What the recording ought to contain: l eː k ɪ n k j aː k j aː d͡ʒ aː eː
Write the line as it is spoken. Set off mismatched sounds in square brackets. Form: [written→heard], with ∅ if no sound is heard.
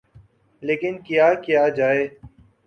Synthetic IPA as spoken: l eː k ɪ n k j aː k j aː d͡ʒ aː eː